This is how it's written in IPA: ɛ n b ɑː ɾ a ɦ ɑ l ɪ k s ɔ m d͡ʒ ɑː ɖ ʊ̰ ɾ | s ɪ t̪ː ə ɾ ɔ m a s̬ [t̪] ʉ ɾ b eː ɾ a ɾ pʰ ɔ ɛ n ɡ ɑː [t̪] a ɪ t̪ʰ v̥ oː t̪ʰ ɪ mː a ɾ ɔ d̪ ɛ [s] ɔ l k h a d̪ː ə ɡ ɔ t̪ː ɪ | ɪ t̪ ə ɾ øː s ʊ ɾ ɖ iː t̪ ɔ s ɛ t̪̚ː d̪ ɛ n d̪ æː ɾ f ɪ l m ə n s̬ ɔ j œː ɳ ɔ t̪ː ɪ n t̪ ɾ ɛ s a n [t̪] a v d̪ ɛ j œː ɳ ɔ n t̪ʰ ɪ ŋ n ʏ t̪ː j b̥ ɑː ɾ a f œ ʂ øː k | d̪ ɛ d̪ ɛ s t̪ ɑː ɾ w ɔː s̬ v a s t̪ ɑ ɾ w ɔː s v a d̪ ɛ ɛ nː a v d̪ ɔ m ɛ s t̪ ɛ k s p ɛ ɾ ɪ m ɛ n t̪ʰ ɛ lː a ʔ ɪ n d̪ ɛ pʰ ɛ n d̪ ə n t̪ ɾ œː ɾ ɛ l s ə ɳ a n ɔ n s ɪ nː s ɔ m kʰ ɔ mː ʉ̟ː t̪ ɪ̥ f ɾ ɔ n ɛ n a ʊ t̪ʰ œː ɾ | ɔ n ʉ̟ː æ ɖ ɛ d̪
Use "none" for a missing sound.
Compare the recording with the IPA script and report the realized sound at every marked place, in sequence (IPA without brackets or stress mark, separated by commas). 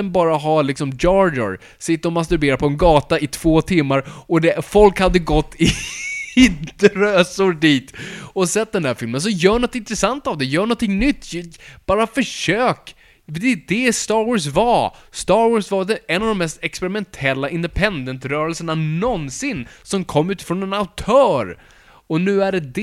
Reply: t̪, t̪, f, t̪